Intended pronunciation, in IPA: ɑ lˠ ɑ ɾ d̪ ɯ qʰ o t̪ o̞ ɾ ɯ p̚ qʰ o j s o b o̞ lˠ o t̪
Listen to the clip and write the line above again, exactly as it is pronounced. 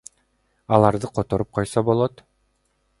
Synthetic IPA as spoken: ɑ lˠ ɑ ɾ d̪ ɯ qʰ o t̪ o̞ ɾ u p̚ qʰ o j s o b o̞ lˠ o t̪